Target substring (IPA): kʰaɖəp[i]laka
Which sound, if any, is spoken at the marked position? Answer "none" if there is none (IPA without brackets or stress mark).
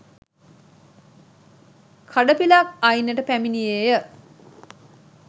i